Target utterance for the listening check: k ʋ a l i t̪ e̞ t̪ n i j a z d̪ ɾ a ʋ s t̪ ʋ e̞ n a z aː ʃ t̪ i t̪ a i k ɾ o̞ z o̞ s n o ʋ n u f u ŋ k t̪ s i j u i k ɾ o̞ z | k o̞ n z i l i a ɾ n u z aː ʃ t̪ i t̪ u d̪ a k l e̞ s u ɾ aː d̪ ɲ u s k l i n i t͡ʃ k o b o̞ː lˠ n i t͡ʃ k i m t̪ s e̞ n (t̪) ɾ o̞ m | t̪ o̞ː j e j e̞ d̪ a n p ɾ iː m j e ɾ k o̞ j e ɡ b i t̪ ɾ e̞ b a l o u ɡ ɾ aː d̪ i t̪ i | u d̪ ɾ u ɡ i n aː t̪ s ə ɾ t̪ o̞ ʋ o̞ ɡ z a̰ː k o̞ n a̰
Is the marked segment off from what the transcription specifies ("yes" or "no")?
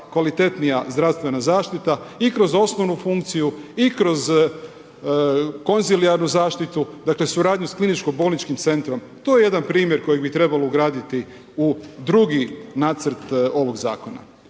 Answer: no